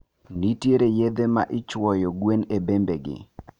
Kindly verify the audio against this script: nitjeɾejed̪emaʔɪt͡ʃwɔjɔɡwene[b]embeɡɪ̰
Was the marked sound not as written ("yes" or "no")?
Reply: no